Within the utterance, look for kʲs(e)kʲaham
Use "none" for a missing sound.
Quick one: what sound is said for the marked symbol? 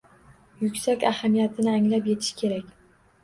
a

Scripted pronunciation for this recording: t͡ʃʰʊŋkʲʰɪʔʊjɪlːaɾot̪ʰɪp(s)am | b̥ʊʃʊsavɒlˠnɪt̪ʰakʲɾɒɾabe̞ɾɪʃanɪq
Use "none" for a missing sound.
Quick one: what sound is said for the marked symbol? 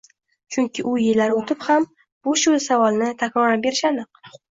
h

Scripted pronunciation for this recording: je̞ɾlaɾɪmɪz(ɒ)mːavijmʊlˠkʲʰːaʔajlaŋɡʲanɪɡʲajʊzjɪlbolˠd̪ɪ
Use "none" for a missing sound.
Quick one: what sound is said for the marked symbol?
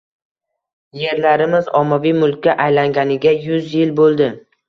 ɒ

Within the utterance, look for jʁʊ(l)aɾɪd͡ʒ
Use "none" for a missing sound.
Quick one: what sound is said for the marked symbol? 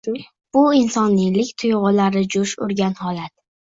l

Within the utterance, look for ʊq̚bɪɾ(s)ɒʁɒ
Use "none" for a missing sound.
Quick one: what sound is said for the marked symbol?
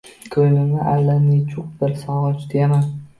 s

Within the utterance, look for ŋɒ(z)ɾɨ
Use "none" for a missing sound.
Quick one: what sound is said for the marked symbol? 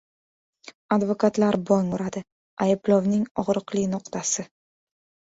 ʁ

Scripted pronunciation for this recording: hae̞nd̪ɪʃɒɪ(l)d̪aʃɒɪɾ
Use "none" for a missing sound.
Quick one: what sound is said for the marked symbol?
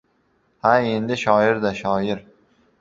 ɾ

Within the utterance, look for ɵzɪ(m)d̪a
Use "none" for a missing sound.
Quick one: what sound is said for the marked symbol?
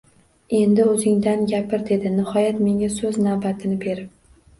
ŋ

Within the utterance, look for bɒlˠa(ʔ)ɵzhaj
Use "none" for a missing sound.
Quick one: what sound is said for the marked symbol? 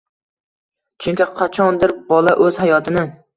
ʔ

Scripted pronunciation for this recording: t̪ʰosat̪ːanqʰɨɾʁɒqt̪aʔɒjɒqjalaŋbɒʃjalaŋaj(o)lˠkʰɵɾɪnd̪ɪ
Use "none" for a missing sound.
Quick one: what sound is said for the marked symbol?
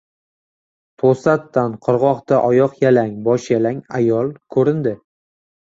ɒ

